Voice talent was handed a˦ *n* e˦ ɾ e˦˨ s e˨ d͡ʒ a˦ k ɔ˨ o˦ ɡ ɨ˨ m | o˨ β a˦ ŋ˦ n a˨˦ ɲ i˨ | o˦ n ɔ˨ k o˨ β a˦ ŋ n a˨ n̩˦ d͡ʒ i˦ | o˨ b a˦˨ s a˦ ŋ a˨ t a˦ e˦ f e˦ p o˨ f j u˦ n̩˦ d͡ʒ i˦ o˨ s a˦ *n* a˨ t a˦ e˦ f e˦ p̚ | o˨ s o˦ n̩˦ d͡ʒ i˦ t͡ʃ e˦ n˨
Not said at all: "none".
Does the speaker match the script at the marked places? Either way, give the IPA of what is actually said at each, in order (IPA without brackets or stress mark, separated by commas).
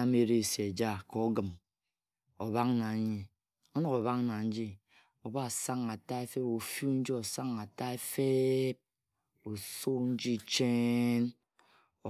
m, ŋ